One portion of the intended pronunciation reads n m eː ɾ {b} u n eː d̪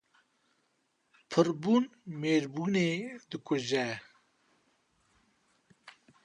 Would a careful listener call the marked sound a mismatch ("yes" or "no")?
no